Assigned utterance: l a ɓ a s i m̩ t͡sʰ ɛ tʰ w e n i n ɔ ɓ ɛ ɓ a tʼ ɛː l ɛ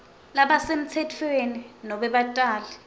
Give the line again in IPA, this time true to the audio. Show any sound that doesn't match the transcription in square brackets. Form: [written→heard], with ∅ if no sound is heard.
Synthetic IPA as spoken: l a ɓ a s [i→e] m̩ t͡sʰ ɛ tʰ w e n i n ɔ ɓ ɛ ɓ a tʼ [ɛː→aː] l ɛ

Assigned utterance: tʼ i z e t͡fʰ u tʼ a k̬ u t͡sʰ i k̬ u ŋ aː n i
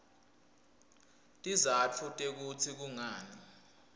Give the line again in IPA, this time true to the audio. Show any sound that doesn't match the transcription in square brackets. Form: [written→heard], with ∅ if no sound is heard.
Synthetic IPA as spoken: tʼ i z [e→a] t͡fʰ u tʼ [a→e] k̬ u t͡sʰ i k̬ u ŋ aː n i

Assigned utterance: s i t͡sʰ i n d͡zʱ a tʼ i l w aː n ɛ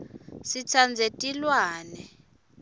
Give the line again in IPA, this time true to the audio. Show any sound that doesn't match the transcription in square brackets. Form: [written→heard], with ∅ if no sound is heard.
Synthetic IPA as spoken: s i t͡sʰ [i→a] n d͡zʱ [a→e] tʼ i l w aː n ɛ

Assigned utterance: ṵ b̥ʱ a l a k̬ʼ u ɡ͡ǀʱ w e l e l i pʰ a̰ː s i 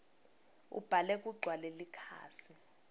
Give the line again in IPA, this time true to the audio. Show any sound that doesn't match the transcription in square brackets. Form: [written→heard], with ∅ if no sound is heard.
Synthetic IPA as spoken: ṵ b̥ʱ a l [a→ɛ] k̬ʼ u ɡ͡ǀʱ w [e→a] l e l i [pʰ→kʰ] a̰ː s i

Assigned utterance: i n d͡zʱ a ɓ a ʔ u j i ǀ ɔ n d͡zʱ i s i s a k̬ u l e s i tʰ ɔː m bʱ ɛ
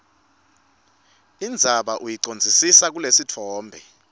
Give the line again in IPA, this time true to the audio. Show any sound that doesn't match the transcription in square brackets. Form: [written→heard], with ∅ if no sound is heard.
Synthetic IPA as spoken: i n d͡zʱ a ɓ a ʔ u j i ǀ [ɔ→o] n d͡zʱ i s i s a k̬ u l e s i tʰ ɔː m bʱ ɛ

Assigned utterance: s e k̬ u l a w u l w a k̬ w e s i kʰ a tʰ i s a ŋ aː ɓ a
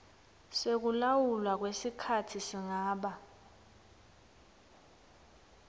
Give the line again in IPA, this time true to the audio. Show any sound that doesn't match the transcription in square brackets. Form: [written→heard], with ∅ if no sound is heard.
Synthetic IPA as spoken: s e k̬ u l a w u l w a k̬ w e s i kʰ a tʰ i s [a→i] ŋ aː ɓ a

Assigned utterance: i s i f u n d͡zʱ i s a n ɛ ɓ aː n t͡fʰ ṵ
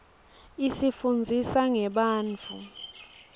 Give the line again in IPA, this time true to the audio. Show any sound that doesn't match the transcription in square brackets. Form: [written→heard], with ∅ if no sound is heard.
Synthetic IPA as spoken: i s i f u n d͡zʱ i s a [n→ŋ] ɛ ɓ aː n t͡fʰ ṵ

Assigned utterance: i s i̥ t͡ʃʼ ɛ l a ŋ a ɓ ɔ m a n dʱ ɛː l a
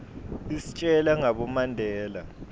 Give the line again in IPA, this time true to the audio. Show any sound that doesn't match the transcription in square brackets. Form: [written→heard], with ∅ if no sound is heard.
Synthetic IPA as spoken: i s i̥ t͡ʃʼ ɛ l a ŋ a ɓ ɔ m a n dʱ ɛː l a

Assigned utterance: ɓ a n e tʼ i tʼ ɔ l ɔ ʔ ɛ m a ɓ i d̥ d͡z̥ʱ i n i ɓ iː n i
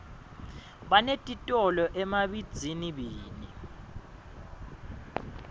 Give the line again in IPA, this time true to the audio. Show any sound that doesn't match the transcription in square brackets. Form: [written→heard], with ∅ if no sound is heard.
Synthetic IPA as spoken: ɓ a n e tʼ i tʼ ɔ l ɔ ʔ ɛ m a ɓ i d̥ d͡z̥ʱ i n i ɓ iː n i

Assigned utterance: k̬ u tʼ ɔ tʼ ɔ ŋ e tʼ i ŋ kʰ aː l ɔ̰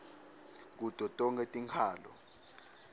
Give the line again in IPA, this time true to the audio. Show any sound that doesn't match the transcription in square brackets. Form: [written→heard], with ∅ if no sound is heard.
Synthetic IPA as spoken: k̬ u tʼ ɔ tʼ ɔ ŋ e tʼ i ŋ kʰ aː l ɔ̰

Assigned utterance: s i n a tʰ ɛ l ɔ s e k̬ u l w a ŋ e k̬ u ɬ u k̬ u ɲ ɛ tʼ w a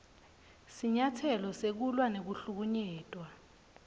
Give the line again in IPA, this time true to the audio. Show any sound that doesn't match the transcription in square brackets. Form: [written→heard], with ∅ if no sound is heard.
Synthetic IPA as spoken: s i [n→ɲ] a tʰ ɛ l ɔ s e k̬ u l w a [ŋ→n] e k̬ u ɬ u k̬ u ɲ [ɛ→ɛː] tʼ w a

